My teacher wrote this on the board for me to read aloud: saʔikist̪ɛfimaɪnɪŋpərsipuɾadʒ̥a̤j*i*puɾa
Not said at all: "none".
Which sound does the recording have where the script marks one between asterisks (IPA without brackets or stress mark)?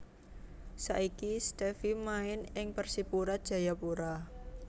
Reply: a